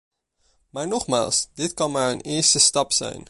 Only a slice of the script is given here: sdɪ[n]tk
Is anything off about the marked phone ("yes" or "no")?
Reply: yes